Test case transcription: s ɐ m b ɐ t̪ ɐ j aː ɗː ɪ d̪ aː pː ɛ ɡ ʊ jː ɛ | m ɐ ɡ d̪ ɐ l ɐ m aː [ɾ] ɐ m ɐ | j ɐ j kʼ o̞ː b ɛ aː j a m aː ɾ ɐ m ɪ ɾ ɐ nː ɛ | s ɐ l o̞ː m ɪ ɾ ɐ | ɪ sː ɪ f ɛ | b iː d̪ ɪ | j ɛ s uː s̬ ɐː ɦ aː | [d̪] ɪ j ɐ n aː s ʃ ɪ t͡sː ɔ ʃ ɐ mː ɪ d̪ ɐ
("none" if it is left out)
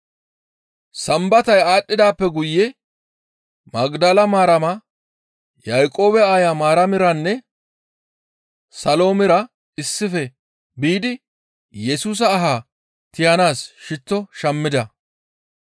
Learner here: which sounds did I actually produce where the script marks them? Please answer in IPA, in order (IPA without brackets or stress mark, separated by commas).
ɾ, t̪